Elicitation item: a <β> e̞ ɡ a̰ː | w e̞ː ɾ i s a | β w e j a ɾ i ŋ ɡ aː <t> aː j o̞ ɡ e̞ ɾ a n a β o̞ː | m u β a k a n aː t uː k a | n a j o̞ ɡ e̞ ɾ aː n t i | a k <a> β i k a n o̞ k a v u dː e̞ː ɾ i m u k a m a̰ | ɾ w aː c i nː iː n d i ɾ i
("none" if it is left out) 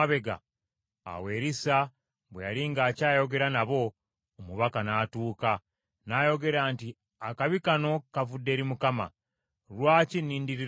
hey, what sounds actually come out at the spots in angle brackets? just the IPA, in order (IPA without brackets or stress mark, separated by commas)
β, c, a